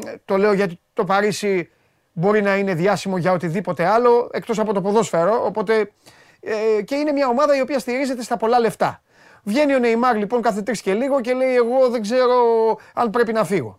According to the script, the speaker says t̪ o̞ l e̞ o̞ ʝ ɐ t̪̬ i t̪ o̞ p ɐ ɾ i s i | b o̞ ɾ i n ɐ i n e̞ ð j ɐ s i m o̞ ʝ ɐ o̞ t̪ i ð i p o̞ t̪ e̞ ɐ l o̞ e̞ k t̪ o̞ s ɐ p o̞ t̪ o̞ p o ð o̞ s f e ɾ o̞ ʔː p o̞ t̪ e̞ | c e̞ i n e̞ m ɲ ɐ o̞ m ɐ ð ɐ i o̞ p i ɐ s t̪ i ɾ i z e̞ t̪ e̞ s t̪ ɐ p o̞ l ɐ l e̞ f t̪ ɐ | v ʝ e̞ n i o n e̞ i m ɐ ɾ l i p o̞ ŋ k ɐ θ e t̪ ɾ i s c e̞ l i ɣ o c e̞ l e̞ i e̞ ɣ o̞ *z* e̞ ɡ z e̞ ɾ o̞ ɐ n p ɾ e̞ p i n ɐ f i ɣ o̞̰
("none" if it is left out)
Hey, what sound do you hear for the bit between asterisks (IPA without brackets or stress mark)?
ð